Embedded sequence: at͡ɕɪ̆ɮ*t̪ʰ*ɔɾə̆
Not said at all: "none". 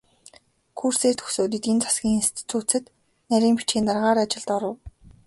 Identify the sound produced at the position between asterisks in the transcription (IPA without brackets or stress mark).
t̪